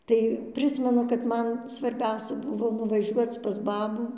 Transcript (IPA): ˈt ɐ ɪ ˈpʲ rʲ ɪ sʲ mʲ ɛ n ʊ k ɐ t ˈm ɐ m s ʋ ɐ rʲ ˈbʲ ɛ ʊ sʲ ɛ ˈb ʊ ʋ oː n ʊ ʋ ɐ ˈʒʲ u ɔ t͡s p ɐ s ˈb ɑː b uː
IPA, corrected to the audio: ˈt ɐ ɪ ˈpʲ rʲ ɪ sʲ mʲ ɛ n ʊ k ɐ t ˈm ɐ n s ʋ ɐ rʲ ˈbʲ ɛ ʊ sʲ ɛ ˈb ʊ ʋ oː n ʊ ʋ ɐ ˈʒʲ u ɔ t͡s p ɐ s ˈb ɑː b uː